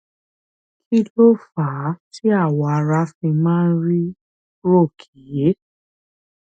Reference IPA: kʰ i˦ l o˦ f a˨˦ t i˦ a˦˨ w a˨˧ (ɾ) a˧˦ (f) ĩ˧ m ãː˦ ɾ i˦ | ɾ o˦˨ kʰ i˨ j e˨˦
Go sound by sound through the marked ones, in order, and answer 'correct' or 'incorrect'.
correct, correct

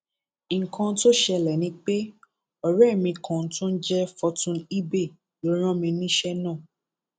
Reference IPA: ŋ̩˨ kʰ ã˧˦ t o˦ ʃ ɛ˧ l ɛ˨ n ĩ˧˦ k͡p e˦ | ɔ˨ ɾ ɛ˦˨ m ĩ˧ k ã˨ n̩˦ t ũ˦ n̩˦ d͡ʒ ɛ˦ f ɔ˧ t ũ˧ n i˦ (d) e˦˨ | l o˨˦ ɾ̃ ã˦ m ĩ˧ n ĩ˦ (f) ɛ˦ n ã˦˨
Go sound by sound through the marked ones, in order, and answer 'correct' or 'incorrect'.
incorrect: b, incorrect: ʃ

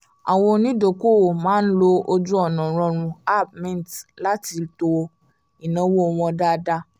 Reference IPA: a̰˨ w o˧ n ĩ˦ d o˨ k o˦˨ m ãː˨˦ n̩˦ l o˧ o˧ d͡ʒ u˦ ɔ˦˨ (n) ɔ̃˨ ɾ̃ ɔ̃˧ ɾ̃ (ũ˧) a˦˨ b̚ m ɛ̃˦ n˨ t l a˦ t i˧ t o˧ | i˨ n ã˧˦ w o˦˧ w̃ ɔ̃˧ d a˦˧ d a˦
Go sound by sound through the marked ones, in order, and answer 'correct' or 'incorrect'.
correct, correct

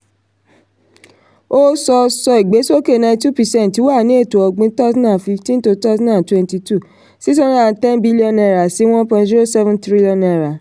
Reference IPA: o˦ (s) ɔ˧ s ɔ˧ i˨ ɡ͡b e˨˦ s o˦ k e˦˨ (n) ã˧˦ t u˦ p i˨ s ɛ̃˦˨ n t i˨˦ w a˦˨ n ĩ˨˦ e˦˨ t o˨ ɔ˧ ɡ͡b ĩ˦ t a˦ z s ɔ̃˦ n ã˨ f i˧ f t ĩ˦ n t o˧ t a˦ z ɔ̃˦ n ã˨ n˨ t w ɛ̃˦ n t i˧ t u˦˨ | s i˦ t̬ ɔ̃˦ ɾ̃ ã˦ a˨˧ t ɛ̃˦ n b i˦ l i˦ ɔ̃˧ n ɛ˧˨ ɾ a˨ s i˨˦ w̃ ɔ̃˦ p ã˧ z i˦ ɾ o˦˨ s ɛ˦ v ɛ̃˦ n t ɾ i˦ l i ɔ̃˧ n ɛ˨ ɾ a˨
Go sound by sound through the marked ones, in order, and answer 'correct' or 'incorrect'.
correct, correct

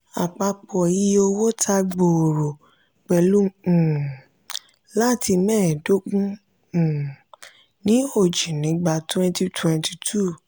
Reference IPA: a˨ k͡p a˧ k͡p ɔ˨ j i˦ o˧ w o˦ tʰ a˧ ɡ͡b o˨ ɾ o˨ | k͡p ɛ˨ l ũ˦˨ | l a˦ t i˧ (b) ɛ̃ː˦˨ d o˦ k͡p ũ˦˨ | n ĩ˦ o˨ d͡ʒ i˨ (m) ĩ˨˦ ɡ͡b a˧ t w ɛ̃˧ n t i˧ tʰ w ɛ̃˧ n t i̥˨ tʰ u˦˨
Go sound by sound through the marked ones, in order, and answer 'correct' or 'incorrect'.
incorrect: m, incorrect: n

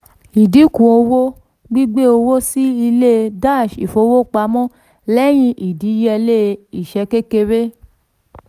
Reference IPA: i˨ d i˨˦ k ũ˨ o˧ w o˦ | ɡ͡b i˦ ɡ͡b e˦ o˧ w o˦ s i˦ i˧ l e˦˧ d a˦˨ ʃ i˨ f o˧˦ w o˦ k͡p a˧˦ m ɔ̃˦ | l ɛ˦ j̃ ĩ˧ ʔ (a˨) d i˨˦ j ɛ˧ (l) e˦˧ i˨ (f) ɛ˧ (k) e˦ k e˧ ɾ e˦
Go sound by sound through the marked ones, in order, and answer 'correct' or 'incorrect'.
incorrect: i˨, correct, incorrect: ʃ, correct

